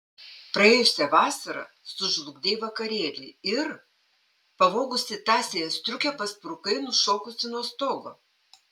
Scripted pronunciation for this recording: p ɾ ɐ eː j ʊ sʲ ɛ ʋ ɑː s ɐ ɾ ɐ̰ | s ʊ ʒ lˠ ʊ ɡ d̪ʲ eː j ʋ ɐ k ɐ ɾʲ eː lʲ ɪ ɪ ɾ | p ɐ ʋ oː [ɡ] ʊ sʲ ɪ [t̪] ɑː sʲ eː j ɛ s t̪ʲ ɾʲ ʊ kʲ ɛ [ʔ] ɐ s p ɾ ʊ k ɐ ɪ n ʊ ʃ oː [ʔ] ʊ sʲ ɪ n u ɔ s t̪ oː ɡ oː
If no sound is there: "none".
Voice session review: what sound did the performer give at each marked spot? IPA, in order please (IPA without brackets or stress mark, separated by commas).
ɡ, t̪, p, k